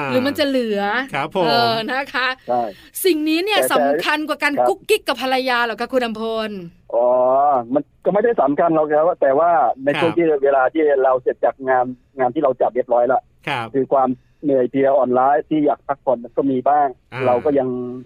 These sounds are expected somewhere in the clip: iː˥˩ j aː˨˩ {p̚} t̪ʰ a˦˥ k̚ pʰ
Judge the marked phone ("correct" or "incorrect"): incorrect